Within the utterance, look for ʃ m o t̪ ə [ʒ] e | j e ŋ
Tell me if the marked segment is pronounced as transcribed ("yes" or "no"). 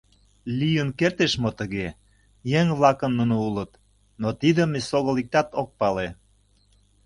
no